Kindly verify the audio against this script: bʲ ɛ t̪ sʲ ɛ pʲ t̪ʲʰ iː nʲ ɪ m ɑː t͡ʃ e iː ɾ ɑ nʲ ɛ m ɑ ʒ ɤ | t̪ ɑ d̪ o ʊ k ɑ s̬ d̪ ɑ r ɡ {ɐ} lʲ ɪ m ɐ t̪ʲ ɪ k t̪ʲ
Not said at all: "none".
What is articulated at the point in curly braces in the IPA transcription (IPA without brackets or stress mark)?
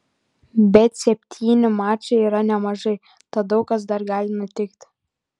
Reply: ɑ